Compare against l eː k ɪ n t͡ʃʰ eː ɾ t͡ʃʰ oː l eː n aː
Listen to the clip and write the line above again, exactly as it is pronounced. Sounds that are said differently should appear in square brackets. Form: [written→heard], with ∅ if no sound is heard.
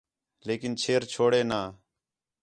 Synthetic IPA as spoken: l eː k ɪ n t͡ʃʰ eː ɾ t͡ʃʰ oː [l→ɽ] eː n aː